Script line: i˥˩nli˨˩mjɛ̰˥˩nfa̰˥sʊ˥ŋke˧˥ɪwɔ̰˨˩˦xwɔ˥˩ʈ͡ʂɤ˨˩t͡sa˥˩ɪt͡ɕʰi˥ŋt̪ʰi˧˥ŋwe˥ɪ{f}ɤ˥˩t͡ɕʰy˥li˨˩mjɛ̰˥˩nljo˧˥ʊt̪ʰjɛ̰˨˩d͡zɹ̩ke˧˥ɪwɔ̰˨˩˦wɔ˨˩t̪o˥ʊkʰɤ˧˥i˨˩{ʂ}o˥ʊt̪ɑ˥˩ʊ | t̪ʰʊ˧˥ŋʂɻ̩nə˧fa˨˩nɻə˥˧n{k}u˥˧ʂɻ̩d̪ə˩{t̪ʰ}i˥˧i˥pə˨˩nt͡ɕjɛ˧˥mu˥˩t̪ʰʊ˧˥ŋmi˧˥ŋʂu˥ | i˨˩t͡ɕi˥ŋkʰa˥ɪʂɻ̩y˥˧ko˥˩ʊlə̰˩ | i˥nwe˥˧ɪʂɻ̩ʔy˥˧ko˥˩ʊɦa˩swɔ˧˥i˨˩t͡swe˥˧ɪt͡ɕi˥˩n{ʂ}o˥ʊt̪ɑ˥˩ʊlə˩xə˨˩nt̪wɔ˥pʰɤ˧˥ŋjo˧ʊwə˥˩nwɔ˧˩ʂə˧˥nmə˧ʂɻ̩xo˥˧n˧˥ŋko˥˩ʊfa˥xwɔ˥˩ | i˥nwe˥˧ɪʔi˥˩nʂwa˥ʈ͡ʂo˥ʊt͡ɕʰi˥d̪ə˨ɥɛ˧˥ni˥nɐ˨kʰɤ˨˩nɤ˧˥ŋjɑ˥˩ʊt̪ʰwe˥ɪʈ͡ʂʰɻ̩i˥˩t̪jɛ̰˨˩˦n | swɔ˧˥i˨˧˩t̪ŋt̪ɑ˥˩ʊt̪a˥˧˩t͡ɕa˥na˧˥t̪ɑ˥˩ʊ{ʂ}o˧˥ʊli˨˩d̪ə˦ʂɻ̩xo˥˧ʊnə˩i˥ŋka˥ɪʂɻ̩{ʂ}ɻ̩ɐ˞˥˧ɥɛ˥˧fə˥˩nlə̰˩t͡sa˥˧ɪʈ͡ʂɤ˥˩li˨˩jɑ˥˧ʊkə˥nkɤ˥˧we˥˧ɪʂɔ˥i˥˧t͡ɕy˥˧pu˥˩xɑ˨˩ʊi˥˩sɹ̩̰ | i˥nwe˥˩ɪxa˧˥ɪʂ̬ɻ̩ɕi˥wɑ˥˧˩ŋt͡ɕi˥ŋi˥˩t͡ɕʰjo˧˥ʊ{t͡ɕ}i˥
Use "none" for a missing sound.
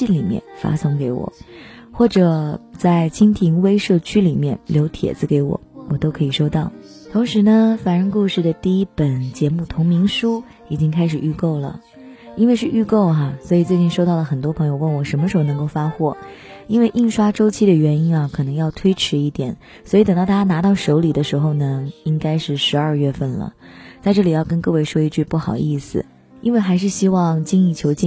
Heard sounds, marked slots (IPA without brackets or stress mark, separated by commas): ʂ, ʂ, k, t̪, ʂ, ʂ, ʂ, t͡ɕ